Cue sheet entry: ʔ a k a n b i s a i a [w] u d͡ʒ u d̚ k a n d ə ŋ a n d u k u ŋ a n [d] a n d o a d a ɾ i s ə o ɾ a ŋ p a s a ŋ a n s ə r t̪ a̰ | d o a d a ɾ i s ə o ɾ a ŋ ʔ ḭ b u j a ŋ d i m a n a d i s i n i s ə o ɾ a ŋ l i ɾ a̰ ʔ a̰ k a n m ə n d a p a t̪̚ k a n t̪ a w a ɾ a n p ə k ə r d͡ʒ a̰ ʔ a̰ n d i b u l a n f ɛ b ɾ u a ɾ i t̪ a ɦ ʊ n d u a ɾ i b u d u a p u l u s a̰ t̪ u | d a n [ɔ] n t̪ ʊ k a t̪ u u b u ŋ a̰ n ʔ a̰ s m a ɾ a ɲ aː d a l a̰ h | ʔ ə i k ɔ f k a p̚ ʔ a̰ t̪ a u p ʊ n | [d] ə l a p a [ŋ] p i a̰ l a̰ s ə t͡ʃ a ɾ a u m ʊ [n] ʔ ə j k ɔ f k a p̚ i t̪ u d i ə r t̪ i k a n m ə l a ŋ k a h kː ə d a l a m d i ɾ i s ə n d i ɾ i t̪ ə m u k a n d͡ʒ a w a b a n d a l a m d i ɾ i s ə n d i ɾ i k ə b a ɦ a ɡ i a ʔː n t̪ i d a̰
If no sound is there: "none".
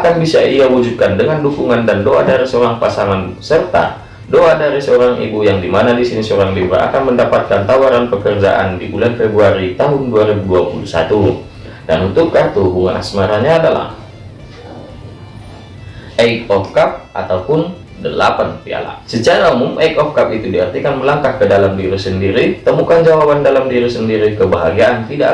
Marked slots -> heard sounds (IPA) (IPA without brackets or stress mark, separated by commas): w, d, u, d, n, m